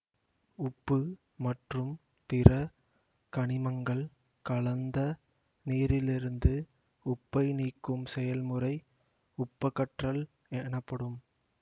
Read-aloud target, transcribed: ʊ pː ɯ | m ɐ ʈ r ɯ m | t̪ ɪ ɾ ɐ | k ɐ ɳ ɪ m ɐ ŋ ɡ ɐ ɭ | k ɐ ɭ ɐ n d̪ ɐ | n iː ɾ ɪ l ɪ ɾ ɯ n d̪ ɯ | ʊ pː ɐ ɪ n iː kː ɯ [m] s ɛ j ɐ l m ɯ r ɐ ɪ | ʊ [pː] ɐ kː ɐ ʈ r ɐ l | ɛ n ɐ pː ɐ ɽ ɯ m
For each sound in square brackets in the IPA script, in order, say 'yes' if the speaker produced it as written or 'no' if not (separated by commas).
yes, yes